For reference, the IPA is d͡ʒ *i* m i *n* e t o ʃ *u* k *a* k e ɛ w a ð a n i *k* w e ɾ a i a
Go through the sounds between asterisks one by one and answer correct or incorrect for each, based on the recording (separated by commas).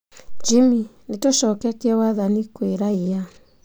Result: correct, correct, incorrect, incorrect, correct